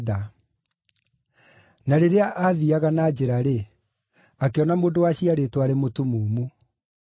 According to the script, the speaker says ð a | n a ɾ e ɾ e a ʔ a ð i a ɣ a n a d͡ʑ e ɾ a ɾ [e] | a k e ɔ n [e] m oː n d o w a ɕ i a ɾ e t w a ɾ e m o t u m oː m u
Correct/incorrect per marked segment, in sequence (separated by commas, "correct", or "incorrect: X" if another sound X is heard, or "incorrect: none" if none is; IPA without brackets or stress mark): correct, incorrect: a